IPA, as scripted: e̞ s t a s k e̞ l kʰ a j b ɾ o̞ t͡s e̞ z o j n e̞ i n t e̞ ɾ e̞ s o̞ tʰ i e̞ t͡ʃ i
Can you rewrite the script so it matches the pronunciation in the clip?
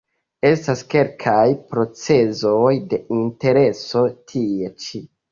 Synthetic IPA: e̞ s t a s k e̞ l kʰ a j p ɾ o̞ t͡s e̞ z o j d e̞ i n t e̞ ɾ e̞ s o̞ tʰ i e̞ t͡ʃ i

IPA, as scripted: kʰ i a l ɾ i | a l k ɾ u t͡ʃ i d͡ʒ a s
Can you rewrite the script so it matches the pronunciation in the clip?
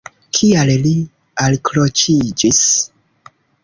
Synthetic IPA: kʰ i a l l i | a l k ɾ o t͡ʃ i d͡ʒ i s

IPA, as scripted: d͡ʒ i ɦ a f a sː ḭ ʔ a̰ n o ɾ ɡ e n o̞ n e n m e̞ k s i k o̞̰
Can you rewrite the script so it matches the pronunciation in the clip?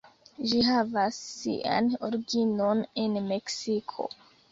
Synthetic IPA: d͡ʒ i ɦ a v a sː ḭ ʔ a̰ n o ɾ ɡ i n o̞ n e n m e̞ k s i kʰ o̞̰

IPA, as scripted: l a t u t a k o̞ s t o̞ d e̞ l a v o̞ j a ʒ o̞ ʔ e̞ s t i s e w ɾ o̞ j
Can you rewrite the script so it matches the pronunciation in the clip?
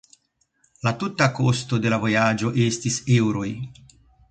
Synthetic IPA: l a t u t a k o̞ s t o̞ d e̞ l a v o̞ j a d͡ʒ o̞ ʔ e̞ s t i s e w ɾ o̞ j

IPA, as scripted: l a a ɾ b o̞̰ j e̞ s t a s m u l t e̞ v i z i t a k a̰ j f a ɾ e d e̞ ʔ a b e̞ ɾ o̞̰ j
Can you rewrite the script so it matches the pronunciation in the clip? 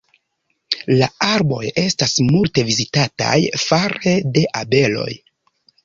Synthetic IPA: l a a ɾ b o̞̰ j e̞ s t a s m u l t e̞ v i z i t a t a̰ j f a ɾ e d e̞ ʔ a b e̞ l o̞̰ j

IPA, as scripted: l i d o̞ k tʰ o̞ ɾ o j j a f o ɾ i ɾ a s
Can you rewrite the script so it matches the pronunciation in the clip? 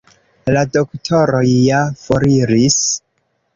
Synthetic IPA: l a d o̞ k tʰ o̞ ɾ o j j a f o ɾ i ɾ i s

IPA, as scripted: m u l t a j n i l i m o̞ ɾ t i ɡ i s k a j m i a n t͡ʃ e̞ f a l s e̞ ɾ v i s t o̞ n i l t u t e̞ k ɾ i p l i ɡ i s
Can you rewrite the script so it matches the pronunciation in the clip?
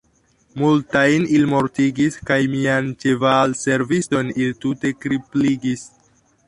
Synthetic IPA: m u l t a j n i l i m o̞ ɾ t i ɡ i s k a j m i a n t͡ʃ e̞ v a l s e̞ ɾ v i s t o̞ n i l t u t e̞ k ɾ i p l i ɡ i s

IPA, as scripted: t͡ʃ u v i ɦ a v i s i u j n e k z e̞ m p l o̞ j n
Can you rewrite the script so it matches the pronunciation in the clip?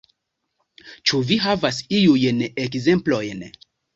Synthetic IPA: t͡ʃ u v i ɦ a v a s i u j n e k z e̞ m p l o̞ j n

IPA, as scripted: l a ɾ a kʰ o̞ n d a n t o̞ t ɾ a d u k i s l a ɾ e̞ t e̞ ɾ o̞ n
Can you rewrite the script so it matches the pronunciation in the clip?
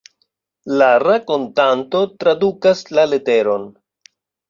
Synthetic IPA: l a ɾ a k o̞ n t a n t o̞ t ɾ a d u k a s l a l e̞ t e̞ ɾ o̞ n

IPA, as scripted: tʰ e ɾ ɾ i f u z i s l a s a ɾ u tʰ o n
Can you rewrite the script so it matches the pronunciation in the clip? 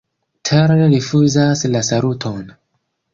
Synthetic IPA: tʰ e ɾ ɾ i f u z a s l a s a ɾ u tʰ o n

